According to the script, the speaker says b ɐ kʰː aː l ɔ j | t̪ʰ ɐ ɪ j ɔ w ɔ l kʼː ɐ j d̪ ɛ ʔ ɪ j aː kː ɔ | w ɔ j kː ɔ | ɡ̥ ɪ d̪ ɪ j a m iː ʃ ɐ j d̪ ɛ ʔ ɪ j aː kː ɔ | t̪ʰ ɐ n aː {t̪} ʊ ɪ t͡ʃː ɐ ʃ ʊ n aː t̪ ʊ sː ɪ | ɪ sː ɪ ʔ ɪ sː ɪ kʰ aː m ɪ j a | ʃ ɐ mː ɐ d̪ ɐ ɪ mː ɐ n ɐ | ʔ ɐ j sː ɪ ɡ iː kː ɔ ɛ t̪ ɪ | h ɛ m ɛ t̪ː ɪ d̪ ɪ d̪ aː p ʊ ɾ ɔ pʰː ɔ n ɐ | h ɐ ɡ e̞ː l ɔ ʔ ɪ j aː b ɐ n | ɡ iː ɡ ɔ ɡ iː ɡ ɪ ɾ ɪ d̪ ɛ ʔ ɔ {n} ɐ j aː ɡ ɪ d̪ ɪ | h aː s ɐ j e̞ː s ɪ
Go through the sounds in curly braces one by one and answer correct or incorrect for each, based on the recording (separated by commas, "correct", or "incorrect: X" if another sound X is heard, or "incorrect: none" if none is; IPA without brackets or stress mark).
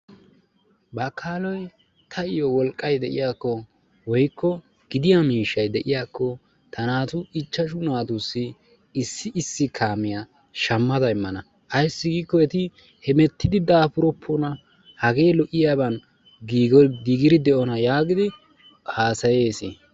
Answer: correct, correct